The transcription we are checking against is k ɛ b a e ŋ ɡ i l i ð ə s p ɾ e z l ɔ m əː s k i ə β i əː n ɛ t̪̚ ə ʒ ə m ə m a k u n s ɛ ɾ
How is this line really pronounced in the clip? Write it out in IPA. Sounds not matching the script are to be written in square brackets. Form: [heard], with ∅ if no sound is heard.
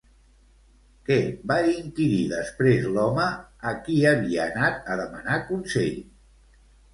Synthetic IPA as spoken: k ɛ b a [i] ŋ [k] i [ɾ] i ð ə s p ɾ e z l ɔ m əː [∅] k i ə β i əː n [a] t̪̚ ə [ð] ə m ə [n] a k u n s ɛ [ʎ]